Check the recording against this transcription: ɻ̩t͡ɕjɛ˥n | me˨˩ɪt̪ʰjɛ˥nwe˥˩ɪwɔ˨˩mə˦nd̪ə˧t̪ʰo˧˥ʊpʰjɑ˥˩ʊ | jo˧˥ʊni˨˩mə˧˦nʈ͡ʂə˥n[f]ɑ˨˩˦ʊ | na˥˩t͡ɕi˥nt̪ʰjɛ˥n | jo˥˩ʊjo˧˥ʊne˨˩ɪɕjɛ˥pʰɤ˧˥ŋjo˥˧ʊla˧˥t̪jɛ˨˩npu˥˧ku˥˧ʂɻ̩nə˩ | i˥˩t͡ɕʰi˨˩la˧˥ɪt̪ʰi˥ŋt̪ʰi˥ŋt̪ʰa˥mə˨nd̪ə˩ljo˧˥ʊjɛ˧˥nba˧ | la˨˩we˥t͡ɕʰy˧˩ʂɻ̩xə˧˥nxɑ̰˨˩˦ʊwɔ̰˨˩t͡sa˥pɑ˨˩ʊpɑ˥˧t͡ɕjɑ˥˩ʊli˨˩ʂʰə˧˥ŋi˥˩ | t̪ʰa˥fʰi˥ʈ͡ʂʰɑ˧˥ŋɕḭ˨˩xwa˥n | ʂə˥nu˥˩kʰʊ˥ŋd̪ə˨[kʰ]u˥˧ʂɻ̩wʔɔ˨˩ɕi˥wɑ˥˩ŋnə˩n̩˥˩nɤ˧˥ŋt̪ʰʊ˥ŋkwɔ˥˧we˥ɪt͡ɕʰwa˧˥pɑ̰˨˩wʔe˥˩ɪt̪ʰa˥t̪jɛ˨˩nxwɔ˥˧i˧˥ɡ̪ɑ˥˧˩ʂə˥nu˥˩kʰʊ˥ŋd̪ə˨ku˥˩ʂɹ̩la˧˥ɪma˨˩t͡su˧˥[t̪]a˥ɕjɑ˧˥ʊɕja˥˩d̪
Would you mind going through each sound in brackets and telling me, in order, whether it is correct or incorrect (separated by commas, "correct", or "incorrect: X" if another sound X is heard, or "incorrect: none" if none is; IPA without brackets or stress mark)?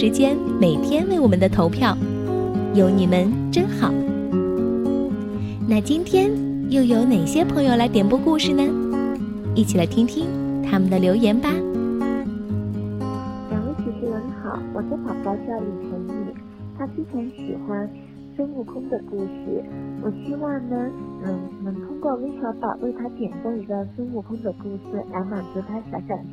incorrect: x, incorrect: k, incorrect: t̪ʰ